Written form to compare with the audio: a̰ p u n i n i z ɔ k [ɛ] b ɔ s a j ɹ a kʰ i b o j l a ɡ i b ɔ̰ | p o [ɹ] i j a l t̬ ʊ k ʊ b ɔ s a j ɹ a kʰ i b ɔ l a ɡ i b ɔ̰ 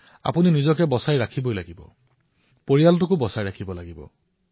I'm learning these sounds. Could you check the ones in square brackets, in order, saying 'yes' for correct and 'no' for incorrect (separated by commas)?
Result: yes, yes